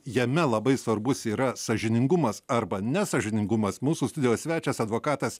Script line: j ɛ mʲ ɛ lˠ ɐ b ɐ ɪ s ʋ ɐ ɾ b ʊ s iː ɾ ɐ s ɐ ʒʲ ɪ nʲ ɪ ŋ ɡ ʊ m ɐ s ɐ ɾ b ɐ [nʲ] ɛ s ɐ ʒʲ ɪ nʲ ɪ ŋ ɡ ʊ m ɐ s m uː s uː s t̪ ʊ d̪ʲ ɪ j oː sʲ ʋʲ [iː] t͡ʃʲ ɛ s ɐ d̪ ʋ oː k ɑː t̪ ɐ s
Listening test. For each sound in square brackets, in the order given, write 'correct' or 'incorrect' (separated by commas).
correct, incorrect